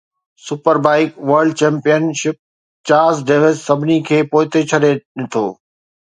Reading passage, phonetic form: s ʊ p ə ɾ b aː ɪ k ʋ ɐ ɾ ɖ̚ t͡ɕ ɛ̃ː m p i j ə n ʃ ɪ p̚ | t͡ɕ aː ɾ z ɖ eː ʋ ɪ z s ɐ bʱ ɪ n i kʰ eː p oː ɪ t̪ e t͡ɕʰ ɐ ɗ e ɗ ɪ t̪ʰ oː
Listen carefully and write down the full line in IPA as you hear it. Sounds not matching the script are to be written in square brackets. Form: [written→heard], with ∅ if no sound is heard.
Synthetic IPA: s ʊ p ə ɾ b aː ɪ k ʋ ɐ ɾ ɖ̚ t͡ɕ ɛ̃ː m p i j ə n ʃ ɪ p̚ | t͡ɕ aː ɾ z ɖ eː ʋ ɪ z s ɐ bʱ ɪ n i kʰ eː p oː ɪ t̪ e t͡ɕʰ ɐ ɗ e ɗ ɪ t̪ʰ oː